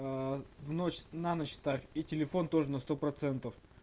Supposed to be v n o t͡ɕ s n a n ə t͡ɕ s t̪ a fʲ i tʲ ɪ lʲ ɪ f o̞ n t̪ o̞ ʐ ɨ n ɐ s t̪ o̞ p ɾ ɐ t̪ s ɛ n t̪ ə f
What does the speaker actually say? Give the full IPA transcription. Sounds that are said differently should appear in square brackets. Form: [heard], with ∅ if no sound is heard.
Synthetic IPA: v n o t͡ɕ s n a n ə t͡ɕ s t̪ a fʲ i tʲ ɪ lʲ ɪ f o̞ n t̪ o̞ ʐ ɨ n ɐ s t̪ o̞ p ɾ ɐ t̪ s ɛ n t̪ ə f